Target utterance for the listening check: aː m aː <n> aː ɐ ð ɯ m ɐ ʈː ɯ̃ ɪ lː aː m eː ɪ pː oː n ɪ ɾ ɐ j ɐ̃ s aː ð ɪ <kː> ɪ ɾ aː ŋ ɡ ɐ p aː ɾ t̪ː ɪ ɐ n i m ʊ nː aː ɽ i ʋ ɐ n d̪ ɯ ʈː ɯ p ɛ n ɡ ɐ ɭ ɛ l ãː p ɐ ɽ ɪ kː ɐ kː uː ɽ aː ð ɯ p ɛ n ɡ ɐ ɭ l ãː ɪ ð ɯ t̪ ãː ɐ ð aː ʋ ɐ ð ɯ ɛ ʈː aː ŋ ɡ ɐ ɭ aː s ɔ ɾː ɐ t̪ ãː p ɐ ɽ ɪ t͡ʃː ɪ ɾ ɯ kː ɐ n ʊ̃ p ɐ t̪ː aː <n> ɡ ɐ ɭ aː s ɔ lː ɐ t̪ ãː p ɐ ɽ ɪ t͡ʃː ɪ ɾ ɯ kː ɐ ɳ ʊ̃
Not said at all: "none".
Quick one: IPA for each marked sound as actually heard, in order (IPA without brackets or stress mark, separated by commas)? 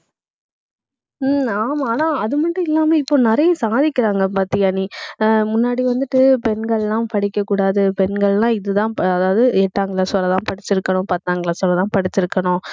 n, kː, ŋ